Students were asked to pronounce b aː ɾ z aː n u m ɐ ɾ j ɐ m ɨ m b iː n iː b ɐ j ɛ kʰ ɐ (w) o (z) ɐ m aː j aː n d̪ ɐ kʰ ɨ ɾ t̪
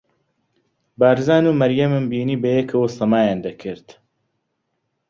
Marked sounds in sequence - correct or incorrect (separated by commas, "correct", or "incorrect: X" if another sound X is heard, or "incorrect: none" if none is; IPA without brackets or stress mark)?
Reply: correct, incorrect: s